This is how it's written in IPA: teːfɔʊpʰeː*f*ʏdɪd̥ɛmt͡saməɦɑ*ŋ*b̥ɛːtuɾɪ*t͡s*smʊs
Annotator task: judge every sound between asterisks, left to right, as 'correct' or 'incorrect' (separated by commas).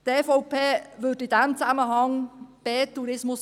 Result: incorrect, correct, incorrect